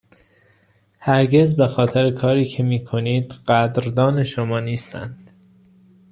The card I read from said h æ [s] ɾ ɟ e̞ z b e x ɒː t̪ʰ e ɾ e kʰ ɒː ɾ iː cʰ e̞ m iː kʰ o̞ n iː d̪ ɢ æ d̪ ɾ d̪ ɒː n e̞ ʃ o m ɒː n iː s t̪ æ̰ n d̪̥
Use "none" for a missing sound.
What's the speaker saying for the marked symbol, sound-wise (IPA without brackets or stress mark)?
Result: none